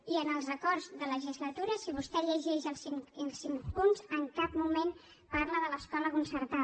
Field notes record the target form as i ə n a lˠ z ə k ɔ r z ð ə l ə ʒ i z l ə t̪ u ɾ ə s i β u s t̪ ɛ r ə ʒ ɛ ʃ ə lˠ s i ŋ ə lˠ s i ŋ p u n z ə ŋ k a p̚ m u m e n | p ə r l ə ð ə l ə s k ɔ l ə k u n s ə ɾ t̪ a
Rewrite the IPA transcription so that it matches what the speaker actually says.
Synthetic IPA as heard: i ə n ə lˠ z ə k ɔ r z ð ə l ə ʒ i z l ə t̪ u ɾ ə s i β u s t̪ ɛ ʎ ə ʒ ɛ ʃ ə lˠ s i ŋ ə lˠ s i ŋ p u n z ə ŋ k a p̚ m u m e n | p a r l ə ð ə l ə s k ɔ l ə k u n s ə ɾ t̪ a